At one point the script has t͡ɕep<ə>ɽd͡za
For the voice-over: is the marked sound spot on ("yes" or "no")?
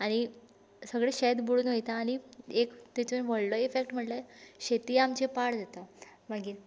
no